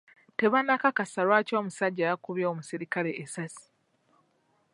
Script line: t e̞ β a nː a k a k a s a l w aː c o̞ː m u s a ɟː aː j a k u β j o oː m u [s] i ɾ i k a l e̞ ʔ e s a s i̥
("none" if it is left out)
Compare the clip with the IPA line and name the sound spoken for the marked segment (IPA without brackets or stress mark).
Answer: s